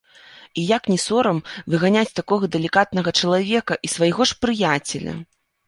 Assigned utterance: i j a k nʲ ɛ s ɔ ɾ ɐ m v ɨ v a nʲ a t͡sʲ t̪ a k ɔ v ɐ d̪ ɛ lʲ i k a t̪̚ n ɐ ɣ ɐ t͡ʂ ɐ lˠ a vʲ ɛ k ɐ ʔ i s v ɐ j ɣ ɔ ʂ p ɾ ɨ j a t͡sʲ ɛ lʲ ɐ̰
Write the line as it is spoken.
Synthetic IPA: i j a k nʲ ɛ s ɔ ɾ ɐ m v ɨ ɣ a nʲ a t͡sʲ t̪ a k ɔ ɣ ɐ d̪ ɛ lʲ i k a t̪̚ n ɐ ɣ ɐ t͡ʂ ɐ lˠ a vʲ ɛ k ɐ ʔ i s v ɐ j ɣ ɔ ʂ p ɾ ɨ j a t͡sʲ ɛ lʲ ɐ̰